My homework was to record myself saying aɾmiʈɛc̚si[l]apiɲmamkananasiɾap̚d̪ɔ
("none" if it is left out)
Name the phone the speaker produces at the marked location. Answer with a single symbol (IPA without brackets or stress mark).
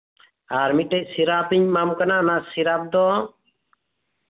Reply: ɾ